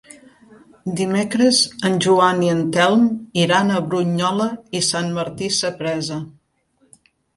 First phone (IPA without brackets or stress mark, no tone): d̪